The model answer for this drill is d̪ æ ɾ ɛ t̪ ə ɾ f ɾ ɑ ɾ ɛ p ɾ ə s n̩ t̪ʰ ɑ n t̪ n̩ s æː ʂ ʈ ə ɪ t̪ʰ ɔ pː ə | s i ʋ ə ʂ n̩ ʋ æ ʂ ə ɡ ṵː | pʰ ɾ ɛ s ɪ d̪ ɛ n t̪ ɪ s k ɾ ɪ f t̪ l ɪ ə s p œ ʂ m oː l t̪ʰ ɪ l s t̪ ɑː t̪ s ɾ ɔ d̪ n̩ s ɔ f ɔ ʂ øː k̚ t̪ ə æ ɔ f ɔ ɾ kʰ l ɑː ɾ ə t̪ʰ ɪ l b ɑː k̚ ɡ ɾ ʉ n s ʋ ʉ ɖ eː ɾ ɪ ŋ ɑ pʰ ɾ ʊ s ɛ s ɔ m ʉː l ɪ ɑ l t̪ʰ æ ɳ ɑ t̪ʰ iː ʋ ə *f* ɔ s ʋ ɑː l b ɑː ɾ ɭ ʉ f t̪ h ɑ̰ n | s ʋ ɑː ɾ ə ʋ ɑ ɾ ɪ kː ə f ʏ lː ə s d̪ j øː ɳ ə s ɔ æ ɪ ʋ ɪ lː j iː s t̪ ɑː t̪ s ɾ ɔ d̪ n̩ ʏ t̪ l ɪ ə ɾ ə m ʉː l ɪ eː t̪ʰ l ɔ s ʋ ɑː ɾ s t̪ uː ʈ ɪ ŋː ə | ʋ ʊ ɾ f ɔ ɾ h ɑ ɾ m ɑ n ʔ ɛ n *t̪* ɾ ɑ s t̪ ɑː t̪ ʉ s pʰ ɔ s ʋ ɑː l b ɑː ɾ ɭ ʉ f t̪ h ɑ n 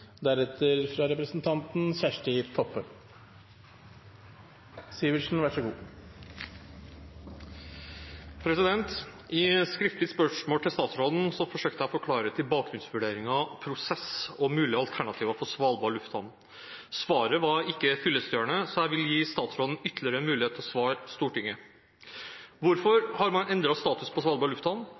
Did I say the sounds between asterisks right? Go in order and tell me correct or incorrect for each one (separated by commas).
correct, incorrect